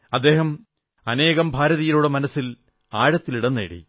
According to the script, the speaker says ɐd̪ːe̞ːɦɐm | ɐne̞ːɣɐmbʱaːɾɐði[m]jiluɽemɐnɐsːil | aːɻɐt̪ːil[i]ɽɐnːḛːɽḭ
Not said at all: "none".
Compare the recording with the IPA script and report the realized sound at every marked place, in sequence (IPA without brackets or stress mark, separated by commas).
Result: none, i